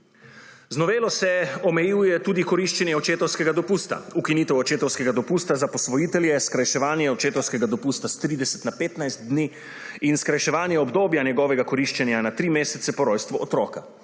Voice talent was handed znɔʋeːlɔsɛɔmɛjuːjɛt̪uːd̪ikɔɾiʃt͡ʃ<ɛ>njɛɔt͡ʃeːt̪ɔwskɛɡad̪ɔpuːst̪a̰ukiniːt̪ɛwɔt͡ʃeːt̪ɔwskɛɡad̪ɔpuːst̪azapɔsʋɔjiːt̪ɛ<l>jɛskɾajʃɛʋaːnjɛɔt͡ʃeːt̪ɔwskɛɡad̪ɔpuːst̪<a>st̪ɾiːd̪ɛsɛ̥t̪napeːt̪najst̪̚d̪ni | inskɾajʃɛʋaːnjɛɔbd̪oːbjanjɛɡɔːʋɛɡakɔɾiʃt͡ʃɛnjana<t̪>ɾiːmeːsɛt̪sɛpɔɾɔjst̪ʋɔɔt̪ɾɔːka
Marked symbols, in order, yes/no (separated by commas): yes, yes, yes, yes